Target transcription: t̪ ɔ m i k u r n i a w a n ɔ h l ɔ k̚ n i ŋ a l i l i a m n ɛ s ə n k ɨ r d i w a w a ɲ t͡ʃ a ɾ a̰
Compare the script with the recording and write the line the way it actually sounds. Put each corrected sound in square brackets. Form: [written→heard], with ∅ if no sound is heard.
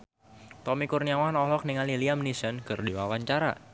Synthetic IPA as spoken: t̪ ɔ m i k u r n i a w a n ɔ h l ɔ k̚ n i ŋ a l i l i a m n [ɛ→i] s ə n k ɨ r d i w a w a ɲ t͡ʃ a ɾ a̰